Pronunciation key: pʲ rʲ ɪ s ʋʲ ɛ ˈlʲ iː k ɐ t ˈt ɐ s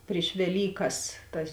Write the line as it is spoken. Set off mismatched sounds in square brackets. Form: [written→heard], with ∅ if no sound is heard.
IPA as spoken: pʲ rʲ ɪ [s→ʃ] ʋʲ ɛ ˈlʲ iː k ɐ [t→s] ˈt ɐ s

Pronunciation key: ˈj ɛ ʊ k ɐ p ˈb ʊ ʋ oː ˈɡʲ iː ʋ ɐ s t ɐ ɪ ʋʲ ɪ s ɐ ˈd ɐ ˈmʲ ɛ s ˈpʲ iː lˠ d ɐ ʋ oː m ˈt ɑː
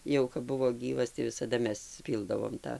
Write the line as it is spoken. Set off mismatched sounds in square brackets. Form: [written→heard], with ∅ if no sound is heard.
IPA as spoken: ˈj ɛ ʊ k ɐ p ˈb ʊ ʋ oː ˈɡʲ iː ʋ ɐ s t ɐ ɪ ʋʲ ɪ s ɐ ˈd ɐ ˈmʲ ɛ s ˈpʲ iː lˠ d ɐ ʋ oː m ˈt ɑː

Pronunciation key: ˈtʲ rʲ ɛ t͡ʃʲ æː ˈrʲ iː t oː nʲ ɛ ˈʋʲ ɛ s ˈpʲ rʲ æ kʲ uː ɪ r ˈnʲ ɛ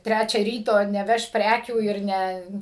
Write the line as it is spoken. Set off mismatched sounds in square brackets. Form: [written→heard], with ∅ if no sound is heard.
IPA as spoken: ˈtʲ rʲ [ɛ→æ] t͡ʃʲ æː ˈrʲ iː t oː nʲ ɛ ˈʋʲ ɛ [s→ʃ] ˈpʲ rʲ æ kʲ uː ɪ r ˈnʲ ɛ

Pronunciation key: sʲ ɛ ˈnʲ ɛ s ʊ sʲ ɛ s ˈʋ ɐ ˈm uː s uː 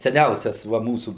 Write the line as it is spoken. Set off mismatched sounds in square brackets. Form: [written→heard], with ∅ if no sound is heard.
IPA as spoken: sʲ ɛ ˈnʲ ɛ [s→∅] ʊ sʲ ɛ s ˈʋ ɐ ˈm uː s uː

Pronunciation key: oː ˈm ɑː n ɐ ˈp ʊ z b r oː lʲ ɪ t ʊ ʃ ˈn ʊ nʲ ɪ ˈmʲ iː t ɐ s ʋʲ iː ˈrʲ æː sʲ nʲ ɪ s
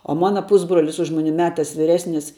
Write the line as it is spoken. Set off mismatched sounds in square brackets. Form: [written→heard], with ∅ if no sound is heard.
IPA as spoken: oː ˈm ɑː n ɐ ˈp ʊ z b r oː lʲ ɪ [t→s] ʊ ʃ [ˈn→ˈm] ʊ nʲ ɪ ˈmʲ [iː→æː] t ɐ s ʋʲ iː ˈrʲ æː sʲ nʲ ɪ s

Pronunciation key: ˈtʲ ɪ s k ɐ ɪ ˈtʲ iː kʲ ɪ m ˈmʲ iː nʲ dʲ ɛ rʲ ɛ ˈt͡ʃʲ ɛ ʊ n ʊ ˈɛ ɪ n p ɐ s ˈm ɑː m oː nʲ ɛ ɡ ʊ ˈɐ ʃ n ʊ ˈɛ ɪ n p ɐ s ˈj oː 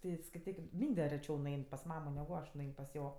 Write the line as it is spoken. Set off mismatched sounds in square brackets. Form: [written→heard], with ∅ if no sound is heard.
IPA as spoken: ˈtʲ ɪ s k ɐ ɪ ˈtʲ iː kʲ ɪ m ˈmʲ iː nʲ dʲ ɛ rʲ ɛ ˈt͡ʃʲ ɛ ʊ n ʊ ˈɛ ɪ n p ɐ s ˈm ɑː m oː nʲ ɛ ɡ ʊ ˈɐ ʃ n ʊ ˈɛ ɪ n p ɐ s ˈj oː

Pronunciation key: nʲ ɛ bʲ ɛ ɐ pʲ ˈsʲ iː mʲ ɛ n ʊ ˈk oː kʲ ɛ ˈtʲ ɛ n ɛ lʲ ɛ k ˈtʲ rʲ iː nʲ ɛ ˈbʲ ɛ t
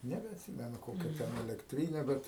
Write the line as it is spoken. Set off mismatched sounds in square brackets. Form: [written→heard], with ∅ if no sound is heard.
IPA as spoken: nʲ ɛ bʲ ɛ ɐ [pʲ→tʲ] ˈsʲ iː mʲ ɛ n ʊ ˈk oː kʲ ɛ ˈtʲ ɛ n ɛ lʲ ɛ k ˈtʲ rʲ iː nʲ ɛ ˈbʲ ɛ t

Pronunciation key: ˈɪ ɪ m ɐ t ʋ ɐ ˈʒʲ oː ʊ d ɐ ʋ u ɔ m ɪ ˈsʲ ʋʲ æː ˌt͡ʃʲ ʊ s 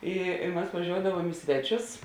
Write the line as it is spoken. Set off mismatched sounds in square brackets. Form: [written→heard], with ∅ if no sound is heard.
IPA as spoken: ˈɪ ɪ m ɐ [t→s] ʋ ɐ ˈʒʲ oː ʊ d ɐ ʋ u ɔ m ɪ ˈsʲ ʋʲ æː ˌt͡ʃʲ ʊ s

